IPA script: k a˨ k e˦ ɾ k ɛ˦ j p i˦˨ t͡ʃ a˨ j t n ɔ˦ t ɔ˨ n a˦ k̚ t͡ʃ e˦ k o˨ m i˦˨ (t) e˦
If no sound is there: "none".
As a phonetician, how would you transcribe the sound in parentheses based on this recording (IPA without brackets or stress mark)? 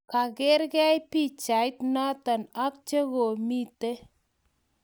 t